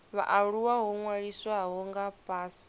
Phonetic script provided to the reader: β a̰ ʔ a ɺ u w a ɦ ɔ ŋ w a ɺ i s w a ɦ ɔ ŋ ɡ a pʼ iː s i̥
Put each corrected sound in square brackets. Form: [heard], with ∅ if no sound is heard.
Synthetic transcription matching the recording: β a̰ ʔ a ɺ u w a ɦ ɔ ŋ w a ɺ i s w a ɦ ɔ ŋ ɡ a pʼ [aː] s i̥